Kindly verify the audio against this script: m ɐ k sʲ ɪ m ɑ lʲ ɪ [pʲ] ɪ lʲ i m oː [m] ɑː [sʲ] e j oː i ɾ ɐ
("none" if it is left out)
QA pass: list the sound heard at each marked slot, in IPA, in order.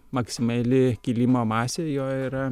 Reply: kʲ, m, sʲ

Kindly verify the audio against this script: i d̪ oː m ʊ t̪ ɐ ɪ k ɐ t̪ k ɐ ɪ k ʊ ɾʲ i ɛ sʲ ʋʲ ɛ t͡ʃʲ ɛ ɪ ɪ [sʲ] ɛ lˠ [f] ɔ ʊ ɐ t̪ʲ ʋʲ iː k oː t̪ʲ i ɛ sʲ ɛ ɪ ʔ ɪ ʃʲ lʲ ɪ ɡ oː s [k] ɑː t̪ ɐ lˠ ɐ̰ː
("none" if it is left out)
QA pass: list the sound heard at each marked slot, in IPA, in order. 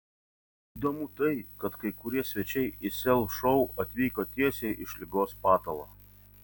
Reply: sʲ, ʃ, p

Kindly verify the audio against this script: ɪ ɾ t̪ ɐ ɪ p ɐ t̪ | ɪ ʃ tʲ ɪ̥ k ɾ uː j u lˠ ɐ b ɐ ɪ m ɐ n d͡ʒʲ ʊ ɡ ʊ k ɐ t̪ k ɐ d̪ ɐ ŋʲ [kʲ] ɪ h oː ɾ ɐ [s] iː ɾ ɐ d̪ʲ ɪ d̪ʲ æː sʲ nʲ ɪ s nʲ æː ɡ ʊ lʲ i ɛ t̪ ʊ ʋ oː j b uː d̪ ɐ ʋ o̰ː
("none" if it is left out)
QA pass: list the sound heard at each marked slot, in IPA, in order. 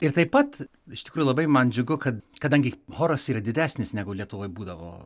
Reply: ɡʲ, s

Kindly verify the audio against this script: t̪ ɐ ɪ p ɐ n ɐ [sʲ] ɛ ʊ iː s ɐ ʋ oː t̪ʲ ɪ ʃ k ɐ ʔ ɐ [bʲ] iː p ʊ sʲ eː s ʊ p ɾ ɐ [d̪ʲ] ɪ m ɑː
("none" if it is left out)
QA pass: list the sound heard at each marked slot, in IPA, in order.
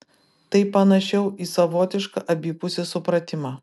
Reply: ʃʲ, bʲ, t̪ʲ

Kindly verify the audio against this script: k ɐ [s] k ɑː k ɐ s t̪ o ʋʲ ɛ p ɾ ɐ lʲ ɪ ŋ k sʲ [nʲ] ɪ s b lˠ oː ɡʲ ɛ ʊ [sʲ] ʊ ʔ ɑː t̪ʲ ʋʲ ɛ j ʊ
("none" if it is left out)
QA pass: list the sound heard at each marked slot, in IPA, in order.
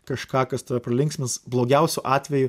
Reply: ʃ, mʲ, sʲ

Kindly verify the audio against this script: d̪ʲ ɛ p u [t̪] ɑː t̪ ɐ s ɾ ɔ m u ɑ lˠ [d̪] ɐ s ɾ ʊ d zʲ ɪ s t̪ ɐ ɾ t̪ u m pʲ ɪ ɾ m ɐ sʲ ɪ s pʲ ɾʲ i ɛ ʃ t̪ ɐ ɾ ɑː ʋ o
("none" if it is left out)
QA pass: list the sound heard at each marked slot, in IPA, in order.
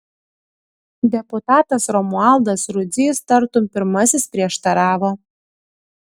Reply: t̪, d̪

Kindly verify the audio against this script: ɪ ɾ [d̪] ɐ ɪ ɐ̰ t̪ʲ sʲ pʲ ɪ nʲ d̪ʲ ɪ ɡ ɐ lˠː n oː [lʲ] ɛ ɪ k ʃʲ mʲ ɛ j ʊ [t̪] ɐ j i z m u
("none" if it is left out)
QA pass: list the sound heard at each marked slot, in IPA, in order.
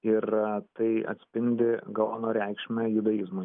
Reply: t̪, ɾʲ, d̪

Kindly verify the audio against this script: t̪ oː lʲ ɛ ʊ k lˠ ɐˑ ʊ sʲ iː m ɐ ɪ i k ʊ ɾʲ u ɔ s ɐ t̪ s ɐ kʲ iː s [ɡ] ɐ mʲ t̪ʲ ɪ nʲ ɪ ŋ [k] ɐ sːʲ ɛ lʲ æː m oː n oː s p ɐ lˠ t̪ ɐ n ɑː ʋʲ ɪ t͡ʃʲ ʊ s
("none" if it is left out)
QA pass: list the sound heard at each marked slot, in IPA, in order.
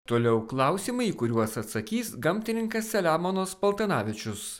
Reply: ɡ, k

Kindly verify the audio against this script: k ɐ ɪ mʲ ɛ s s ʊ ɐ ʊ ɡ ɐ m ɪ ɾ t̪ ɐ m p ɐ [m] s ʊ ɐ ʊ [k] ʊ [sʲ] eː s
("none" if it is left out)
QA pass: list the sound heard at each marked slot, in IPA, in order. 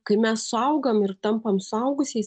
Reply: m, ɡ, sʲ

